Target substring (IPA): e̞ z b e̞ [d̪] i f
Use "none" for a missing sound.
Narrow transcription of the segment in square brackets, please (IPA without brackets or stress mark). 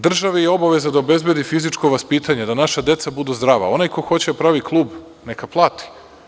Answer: d̪